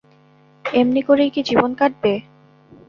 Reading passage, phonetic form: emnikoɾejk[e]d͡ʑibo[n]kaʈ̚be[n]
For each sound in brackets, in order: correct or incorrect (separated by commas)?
incorrect, correct, incorrect